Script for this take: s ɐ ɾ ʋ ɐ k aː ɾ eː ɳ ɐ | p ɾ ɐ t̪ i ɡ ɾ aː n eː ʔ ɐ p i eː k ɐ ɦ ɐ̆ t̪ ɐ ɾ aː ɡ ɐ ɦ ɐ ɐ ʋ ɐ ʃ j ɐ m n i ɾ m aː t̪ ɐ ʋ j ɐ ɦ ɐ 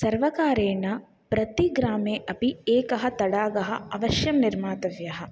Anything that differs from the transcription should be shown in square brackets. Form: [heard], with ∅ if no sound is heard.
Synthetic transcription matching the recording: s ɐ ɾ ʋ ɐ k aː ɾ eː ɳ ɐ | p ɾ ɐ t̪ i ɡ ɾ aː [m] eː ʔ ɐ p i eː k ɐ ɦ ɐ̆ t̪ ɐ [ɽ] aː ɡ ɐ ɦ ɐ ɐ ʋ ɐ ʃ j ɐ m n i ɾ m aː t̪ ɐ ʋ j ɐ ɦ ɐ